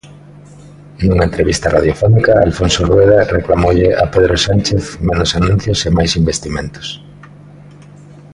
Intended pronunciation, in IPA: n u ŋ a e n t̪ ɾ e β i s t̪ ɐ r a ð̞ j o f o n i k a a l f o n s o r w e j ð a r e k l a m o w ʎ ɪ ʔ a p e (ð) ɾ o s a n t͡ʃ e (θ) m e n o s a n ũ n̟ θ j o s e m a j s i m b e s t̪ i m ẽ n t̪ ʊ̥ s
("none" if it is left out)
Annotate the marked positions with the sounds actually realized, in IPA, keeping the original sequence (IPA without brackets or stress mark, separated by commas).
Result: ð, θ